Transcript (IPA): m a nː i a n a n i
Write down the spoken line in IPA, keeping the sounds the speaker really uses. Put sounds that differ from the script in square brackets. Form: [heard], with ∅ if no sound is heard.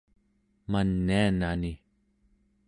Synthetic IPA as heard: m a nː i a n a n i